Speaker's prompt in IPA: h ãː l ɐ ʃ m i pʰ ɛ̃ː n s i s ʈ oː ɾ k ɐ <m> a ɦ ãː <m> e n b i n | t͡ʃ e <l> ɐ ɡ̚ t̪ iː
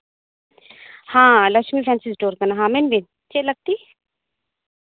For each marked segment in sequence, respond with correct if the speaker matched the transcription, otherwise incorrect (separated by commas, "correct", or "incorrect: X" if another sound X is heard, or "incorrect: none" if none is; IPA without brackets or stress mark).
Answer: incorrect: n, correct, correct